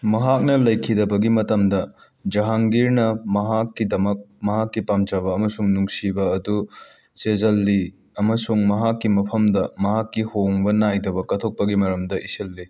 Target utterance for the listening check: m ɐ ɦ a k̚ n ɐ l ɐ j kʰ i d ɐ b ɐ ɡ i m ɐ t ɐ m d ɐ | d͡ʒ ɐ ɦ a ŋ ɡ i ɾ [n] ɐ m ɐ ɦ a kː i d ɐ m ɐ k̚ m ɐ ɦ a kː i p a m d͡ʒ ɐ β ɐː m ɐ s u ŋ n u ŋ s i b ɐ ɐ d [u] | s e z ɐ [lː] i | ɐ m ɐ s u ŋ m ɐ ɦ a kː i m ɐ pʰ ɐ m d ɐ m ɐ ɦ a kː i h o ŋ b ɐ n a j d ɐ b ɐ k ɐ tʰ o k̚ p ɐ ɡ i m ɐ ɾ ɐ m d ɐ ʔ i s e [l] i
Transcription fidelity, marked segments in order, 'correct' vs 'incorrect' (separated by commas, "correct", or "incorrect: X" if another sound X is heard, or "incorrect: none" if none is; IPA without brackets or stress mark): correct, correct, correct, incorrect: lː